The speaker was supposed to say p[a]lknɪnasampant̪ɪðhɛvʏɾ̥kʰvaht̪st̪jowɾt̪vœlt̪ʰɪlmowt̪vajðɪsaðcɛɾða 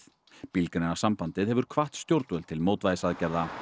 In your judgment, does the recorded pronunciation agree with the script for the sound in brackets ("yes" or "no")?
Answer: no